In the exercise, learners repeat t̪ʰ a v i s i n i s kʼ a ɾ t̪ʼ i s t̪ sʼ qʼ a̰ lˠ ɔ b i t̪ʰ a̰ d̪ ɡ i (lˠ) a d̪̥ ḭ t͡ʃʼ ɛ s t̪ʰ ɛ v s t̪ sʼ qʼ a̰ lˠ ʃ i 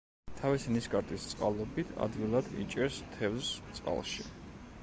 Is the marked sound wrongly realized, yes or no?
no